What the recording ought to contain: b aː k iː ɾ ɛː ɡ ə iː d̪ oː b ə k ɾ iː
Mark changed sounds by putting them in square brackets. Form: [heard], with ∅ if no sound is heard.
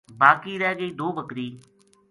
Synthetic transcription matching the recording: b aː k iː ɾ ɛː ɡ ə iː d̪ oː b ə k ɾ iː